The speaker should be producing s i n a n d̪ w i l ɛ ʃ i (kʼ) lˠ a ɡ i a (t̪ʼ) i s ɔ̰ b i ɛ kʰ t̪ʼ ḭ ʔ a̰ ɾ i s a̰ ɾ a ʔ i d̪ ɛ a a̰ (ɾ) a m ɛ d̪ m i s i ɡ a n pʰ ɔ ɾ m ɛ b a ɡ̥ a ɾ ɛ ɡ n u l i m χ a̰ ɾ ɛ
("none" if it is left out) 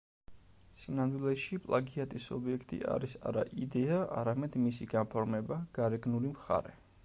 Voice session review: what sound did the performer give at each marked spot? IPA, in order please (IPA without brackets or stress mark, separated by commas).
pʼ, t̪ʼ, ɾ